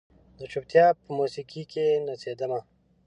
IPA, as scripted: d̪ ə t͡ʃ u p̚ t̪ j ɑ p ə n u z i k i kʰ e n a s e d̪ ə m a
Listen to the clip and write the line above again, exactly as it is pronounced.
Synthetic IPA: d̪ ə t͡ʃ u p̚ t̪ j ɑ p ə m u s i k i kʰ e n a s e d̪ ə m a